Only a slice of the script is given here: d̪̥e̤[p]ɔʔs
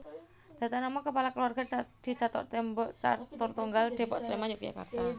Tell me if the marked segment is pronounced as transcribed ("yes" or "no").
yes